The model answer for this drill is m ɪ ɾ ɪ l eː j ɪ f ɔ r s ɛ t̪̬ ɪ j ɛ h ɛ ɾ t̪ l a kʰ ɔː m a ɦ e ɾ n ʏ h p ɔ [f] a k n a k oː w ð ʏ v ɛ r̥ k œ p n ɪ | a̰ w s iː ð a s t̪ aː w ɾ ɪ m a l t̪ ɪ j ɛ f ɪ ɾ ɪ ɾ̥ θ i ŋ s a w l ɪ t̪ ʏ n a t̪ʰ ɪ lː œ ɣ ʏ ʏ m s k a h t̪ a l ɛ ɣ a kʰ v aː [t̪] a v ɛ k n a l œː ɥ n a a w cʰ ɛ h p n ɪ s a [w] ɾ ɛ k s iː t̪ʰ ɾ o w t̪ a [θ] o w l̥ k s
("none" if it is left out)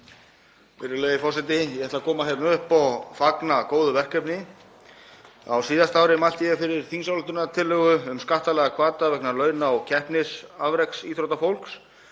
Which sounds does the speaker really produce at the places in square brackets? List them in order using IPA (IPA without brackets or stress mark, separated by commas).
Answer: f, t̪, v, f